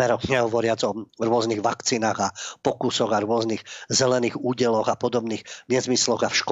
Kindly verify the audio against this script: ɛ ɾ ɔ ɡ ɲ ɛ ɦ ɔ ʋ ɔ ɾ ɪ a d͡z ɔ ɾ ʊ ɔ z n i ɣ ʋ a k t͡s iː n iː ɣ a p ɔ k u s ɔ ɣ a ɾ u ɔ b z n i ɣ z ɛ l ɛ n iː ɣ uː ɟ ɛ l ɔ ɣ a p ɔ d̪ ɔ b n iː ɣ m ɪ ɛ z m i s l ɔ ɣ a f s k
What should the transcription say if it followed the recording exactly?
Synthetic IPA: ɛ ɾ ɔ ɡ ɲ ɛ ɦ ɔ ʋ ɔ ɾ ɪ a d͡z ɔ ɾ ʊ ɔ z n i ɣ ʋ a k t͡s iː n aː ɣ a p ɔ k u s ɔ ɣ a ɾ ʊ ɔ z n i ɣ z ɛ l ɛ n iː ɣ uː ɟ ɛ l ɔ ɣ a p ɔ d̪ ɔ b n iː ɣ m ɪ ɛ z m i s l ɔ ɣ a f ʃ k